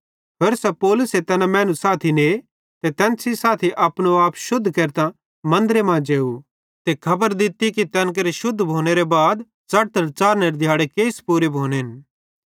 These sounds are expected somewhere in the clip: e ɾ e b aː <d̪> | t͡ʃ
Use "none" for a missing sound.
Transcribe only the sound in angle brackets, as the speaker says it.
d̪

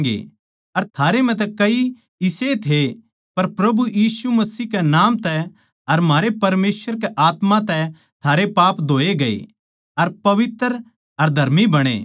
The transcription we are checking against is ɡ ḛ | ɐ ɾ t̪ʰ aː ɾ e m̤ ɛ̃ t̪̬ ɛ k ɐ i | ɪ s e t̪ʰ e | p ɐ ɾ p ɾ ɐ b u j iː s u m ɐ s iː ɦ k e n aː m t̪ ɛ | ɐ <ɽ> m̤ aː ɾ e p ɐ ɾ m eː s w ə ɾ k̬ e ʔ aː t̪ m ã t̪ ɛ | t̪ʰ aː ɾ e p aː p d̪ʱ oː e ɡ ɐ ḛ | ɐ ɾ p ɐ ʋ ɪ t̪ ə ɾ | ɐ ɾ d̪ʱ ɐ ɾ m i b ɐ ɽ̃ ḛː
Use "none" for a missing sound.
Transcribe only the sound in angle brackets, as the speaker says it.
ɾ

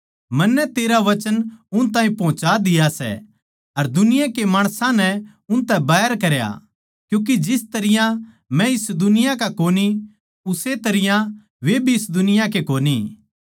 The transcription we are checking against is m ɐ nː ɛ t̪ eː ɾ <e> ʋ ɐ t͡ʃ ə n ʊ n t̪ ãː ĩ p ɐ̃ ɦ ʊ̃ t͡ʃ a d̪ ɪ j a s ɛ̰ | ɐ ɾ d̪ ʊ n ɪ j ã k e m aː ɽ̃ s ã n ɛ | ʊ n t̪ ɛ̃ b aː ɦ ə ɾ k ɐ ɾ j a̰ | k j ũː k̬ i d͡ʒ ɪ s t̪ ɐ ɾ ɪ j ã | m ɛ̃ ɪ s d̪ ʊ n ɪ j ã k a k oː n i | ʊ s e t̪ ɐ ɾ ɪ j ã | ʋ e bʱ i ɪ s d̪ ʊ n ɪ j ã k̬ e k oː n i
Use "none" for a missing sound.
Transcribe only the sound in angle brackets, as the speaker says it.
a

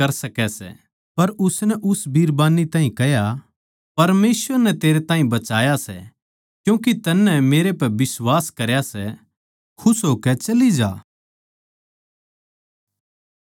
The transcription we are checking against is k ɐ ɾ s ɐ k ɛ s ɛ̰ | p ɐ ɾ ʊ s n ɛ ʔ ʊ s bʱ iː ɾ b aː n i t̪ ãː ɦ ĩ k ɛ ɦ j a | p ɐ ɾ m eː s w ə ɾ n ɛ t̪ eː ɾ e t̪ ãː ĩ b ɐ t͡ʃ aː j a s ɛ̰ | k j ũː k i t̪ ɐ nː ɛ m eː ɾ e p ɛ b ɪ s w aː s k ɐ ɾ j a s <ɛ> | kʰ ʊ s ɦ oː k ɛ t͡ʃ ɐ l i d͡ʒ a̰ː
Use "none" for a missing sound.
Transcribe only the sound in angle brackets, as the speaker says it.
ɛ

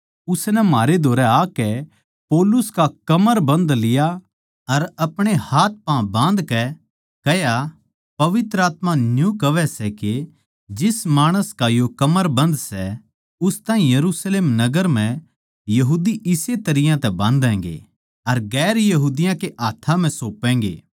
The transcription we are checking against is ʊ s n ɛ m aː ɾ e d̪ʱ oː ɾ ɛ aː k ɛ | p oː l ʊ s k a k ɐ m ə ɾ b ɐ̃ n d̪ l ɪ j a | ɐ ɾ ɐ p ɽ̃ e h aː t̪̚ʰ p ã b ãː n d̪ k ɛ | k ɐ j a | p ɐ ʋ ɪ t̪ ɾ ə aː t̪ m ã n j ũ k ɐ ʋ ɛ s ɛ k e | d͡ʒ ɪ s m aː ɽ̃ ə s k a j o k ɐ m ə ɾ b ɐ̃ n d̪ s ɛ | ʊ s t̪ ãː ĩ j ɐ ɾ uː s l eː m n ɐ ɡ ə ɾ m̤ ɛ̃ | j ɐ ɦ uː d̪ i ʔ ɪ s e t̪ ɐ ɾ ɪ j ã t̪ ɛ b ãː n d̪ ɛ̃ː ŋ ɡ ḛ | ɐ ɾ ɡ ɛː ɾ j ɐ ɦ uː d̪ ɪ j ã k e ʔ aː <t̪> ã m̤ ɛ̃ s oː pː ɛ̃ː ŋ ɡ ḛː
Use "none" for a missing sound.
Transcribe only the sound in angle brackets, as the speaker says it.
t̪ʰ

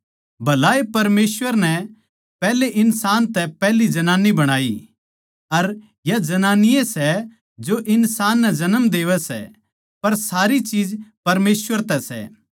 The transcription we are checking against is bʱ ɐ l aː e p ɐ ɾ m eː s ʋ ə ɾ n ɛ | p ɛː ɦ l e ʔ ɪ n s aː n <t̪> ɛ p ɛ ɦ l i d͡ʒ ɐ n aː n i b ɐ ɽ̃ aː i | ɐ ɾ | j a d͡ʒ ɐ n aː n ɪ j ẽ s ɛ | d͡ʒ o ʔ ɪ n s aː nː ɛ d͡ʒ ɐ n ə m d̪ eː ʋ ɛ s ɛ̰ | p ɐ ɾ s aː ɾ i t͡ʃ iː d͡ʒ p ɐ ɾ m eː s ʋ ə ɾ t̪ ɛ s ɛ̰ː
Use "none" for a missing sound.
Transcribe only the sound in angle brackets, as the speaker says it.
t̪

